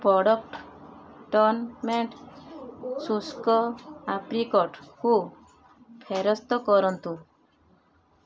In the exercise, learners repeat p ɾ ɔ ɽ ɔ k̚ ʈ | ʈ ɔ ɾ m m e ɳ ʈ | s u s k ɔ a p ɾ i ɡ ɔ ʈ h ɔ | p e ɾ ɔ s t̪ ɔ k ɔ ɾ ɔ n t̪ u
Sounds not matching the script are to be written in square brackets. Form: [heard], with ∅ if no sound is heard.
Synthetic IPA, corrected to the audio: p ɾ ɔ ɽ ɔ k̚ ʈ | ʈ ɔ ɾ [n] m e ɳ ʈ | s u s k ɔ a p ɾ i [k] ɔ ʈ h [u] | [pʰ] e ɾ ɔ s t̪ ɔ k ɔ ɾ ɔ n t̪ u

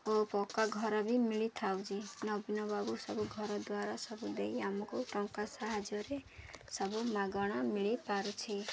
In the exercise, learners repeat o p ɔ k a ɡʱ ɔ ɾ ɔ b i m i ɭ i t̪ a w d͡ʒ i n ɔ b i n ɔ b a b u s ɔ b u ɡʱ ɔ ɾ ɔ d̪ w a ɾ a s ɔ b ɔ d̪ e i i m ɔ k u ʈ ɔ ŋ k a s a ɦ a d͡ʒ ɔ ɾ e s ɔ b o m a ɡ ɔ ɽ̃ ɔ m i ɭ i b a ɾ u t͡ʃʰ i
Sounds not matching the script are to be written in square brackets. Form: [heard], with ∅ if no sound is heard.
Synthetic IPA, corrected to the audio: o p ɔ k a ɡʱ ɔ ɾ ɔ b i m i ɭ i [t̪ʰ] a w d͡ʒ i n ɔ b i n ɔ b a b u s ɔ b u ɡʱ ɔ ɾ ɔ d̪ w a ɾ a s ɔ b [u] d̪ e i [a] m ɔ k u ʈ ɔ ŋ k a s a ɦ a d͡ʒ ɔ ɾ e s ɔ b [u] m a ɡ ɔ ɽ̃ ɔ m i ɭ i [p] a ɾ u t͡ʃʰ i

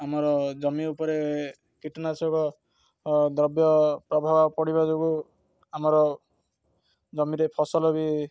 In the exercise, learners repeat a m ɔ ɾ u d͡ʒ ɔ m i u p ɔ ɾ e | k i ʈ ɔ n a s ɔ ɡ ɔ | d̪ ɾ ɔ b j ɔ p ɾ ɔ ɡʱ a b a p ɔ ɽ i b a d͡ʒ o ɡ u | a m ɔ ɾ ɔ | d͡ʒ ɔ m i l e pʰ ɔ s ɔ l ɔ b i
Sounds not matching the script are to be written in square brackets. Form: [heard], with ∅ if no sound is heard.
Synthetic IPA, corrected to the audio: a m ɔ ɾ [ɔ] d͡ʒ ɔ m i u p ɔ ɾ e | k i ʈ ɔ n a s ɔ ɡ ɔ | d̪ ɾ ɔ b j ɔ p ɾ ɔ [bʱ] a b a p ɔ ɽ i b a d͡ʒ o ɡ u | a m ɔ ɾ ɔ | d͡ʒ ɔ m i [ɾ] e pʰ ɔ s ɔ l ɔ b i

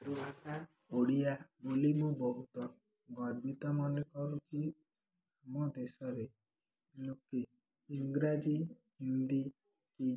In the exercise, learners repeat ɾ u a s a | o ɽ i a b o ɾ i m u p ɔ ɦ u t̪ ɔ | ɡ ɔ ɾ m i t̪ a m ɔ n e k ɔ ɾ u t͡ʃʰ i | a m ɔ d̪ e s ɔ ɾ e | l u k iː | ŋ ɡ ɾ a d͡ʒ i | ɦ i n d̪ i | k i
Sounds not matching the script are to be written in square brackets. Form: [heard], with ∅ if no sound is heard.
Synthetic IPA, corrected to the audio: ɾ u a s a | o ɽ i a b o [l] i m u [b] ɔ ɦ u t̪ ɔ | ɡ ɔ ɾ [b] i t̪ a m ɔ n e k ɔ ɾ u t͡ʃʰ i | a m ɔ d̪ e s ɔ ɾ e | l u k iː | ŋ ɡ ɾ a d͡ʒ i | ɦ i n d̪ i | k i

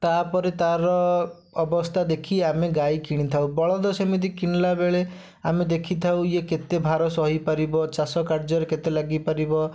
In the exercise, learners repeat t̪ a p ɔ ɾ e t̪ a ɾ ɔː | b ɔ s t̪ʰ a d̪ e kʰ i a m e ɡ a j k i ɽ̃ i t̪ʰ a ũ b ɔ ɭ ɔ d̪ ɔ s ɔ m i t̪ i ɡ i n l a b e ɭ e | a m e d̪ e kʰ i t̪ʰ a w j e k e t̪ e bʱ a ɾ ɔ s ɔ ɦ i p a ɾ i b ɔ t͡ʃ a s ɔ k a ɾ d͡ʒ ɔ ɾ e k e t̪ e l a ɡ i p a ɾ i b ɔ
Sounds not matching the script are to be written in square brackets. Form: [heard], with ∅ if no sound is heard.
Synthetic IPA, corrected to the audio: t̪ a p ɔ ɾ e t̪ a ɾ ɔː | b ɔ s t̪ʰ a d̪ e kʰ i a m e ɡ a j k i ɽ̃ i t̪ʰ a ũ b ɔ ɭ ɔ d̪ ɔ s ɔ m i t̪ i [k] i n l a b e ɭ e | a m e d̪ e kʰ i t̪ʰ a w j e k e t̪ e bʱ a ɾ ɔ s ɔ ɦ i p a ɾ i b ɔ t͡ʃ a s ɔ k a ɾ d͡ʒ ɔ ɾ e k e t̪ e l a ɡ i p a ɾ i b ɔ

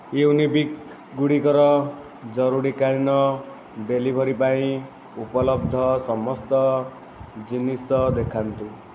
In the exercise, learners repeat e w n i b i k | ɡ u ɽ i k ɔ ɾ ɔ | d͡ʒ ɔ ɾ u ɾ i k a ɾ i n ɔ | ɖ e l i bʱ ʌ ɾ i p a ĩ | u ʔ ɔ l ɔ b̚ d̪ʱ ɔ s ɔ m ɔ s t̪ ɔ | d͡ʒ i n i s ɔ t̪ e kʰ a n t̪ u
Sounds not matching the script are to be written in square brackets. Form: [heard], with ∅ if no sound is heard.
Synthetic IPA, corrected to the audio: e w n i b i k | ɡ u ɽ i k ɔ ɾ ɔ | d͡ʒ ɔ ɾ u ɾ i k a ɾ i n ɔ | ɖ e l i bʱ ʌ ɾ i p a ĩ | u [p] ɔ l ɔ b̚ d̪ʱ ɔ s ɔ m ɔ s t̪ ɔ | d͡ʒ i n i s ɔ [d̪] e kʰ a n t̪ u

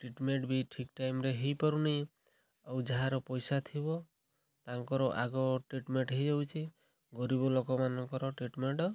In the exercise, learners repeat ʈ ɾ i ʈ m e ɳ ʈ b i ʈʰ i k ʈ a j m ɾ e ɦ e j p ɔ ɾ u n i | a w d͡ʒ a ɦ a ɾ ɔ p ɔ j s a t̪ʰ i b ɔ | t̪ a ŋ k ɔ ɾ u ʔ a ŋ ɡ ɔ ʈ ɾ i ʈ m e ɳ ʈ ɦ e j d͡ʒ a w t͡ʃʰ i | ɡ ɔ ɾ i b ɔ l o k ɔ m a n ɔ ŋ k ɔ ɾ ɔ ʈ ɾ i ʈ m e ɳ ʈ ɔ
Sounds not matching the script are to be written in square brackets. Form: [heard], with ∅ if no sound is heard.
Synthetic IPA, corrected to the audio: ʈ ɾ i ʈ m e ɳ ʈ b i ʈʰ i k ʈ a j m ɾ e ɦ e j p ɔ ɾ u n i | a w d͡ʒ a ɦ a ɾ ɔ p ɔ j s a t̪ʰ i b ɔ | t̪ a ŋ k ɔ ɾ [ɔ] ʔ a [∅] ɡ ɔ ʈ ɾ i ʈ m e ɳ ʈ ɦ e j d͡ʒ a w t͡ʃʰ i | ɡ ɔ ɾ i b ɔ l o k ɔ m a n ɔ ŋ k ɔ ɾ ɔ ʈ ɾ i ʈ m e ɳ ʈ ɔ

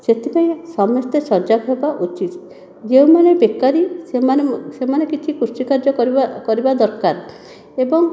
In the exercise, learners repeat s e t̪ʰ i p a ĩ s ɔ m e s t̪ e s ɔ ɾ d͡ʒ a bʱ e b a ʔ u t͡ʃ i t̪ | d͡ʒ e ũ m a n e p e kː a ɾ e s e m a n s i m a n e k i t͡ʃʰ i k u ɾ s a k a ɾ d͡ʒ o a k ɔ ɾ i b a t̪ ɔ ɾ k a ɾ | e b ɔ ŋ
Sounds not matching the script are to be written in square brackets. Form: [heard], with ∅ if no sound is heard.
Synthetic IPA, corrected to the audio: s e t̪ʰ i p a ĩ s ɔ m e s t̪ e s ɔ ɾ d͡ʒ a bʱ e b a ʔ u t͡ʃ i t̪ | d͡ʒ e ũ m a n e [b] e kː a ɾ [i] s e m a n s [e] m a n e k i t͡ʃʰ i k u ɾ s [i] k a ɾ d͡ʒ [ɔ] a k ɔ ɾ i b a [d̪] ɔ ɾ k a ɾ | e b ɔ ŋ

